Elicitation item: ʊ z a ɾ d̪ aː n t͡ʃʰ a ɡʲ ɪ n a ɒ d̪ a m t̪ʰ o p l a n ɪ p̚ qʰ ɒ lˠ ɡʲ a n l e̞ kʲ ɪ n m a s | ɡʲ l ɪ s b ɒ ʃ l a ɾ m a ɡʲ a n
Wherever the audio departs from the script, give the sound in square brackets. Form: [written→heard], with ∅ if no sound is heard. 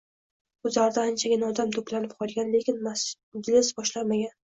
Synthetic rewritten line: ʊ z a ɾ d̪ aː n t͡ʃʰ a ɡʲ ɪ n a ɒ d̪ a m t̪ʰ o p l a n ɪ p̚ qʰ ɒ lˠ ɡʲ a n l e̞ kʲ ɪ n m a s | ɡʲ l ɪ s b ɒ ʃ l a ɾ m a ɡʲ a n